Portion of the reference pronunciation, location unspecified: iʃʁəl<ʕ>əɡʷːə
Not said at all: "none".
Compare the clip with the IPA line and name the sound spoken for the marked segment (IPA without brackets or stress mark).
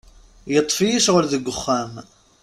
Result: ð